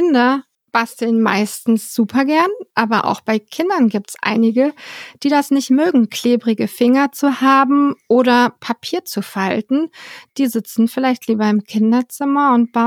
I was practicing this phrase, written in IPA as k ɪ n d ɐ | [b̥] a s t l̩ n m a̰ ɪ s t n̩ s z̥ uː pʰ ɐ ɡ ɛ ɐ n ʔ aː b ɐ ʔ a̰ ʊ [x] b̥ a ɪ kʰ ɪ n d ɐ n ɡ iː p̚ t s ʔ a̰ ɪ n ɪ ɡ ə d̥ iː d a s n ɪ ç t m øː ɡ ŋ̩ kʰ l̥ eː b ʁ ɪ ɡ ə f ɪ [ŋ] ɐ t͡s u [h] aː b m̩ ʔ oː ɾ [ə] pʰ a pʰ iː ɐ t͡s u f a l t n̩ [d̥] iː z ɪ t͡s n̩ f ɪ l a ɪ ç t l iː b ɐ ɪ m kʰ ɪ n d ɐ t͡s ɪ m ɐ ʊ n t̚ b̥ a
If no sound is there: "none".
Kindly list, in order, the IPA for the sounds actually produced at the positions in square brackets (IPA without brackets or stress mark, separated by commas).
b̥, x, ŋ, h, ɐ, d̥